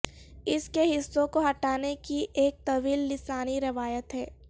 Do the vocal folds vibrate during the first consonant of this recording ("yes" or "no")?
no